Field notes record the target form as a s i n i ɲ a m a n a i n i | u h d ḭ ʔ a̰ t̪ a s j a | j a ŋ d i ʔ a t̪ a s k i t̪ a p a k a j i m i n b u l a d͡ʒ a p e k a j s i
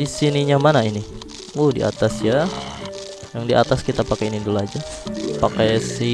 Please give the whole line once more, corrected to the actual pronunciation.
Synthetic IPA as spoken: i s i n i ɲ a m a n a i n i | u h d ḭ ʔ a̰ t̪ a s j a | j a ŋ d i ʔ a t̪ a s k i t̪ a p a k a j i n i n d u l a d͡ʒ a p a k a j s i